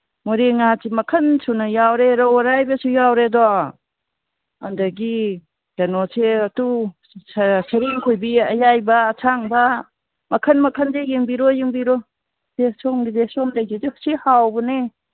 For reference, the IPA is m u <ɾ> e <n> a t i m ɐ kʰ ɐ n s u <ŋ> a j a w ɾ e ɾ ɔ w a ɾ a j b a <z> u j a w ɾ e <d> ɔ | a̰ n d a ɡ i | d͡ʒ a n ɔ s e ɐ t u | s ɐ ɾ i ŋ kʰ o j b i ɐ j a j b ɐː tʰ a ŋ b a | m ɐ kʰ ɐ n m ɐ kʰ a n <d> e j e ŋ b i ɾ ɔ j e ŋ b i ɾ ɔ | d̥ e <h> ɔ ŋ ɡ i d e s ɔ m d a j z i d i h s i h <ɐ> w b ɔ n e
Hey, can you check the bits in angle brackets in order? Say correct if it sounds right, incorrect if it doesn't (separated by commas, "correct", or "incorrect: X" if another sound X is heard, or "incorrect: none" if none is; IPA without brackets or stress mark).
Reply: correct, incorrect: ŋ, incorrect: n, incorrect: s, correct, correct, incorrect: s, incorrect: a